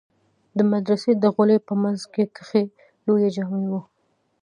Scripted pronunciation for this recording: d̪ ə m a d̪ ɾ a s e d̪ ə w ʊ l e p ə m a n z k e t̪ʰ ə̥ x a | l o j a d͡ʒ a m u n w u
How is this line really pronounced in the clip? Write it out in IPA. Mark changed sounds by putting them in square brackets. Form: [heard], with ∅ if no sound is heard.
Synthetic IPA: d̪ ə m a d̪ ɾ a s e d̪ ə [ɣ] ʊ l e p ə m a n z k e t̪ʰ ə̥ x [e] | l o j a d͡ʒ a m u n w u